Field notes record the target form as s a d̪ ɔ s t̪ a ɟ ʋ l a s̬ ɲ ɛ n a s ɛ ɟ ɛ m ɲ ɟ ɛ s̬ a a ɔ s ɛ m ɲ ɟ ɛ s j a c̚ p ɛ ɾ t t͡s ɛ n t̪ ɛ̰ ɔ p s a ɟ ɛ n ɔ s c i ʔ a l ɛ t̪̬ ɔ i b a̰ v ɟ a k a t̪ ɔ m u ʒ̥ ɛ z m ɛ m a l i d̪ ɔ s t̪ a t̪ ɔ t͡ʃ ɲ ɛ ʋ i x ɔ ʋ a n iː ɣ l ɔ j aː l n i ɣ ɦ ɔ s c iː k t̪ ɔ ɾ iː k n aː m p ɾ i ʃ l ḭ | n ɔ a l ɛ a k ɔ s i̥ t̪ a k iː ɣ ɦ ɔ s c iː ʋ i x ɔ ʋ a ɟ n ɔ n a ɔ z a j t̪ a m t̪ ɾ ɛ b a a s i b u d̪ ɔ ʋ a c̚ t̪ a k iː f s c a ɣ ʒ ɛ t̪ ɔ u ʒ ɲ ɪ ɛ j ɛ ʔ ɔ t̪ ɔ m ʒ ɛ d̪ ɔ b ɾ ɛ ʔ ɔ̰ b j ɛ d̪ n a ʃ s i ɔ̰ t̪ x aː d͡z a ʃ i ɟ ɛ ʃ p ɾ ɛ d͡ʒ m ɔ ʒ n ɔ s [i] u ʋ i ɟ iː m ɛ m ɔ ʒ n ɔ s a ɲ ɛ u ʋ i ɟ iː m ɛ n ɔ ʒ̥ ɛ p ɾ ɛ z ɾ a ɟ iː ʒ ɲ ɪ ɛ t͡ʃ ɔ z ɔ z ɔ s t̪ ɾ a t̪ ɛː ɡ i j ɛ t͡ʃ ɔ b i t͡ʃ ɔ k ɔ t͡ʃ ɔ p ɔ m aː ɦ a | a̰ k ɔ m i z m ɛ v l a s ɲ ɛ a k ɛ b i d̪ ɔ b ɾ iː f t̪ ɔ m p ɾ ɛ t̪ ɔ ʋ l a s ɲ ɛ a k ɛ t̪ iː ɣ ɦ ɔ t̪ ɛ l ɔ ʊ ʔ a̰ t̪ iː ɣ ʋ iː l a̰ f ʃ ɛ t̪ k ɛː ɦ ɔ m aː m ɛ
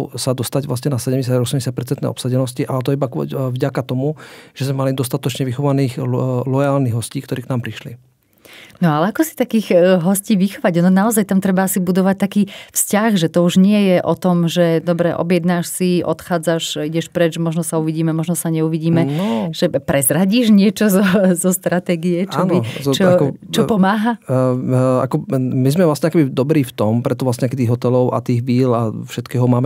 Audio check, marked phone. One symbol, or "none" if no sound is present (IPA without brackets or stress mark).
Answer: a